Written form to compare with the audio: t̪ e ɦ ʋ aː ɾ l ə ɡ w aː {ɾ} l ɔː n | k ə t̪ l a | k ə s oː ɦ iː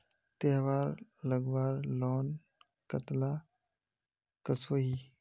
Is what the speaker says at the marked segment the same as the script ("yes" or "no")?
yes